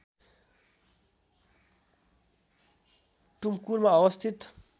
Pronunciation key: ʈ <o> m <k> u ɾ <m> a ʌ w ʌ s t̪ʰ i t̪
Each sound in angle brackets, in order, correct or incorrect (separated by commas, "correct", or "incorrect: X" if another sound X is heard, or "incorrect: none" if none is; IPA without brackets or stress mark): incorrect: u, correct, correct